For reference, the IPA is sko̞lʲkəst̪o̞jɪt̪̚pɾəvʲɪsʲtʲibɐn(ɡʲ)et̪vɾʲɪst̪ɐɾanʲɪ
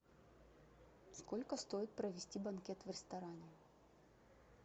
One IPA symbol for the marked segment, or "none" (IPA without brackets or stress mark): kʲ